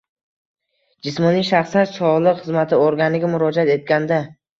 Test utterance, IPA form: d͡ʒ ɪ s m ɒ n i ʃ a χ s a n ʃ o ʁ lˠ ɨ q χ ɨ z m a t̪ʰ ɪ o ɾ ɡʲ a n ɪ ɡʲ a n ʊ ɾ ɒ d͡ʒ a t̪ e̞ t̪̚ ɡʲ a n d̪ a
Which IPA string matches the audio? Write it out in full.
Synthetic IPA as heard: d͡ʒ ɪ s m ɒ n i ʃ a χ s a n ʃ ɒ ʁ lˠ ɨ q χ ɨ z m a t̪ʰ ɪ o ɾ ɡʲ a n ɪ ɡʲ a m ʊ ɾ ɒ d͡ʒ a t̪ e̞ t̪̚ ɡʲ a n d̪ a